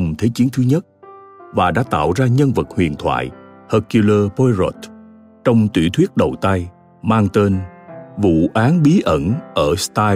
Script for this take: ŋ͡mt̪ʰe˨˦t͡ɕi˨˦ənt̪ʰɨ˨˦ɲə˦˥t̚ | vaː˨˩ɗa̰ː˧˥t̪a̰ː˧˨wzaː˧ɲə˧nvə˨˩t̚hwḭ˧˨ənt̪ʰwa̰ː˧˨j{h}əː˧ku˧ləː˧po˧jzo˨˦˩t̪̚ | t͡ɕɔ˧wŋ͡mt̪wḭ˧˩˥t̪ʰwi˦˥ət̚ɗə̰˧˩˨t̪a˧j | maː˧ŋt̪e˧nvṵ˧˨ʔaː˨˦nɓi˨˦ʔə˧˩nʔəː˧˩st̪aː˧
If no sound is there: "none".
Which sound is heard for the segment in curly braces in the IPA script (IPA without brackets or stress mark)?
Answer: h